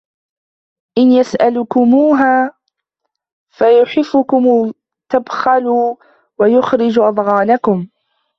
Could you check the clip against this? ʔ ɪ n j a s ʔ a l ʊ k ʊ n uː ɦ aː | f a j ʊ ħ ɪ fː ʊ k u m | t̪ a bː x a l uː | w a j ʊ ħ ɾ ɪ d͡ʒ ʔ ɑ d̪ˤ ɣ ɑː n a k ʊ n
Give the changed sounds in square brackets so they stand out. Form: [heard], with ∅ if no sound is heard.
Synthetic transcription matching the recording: ʔ ɪ n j a s ʔ a l ʊ k ʊ [m] uː ɦ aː | f a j ʊ ħ ɪ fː ʊ k [ʊ] m | t̪ a [b] x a l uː | w a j ʊ [x] ɾ ɪ d͡ʒ ʔ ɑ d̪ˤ ɣ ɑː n a k ʊ [m]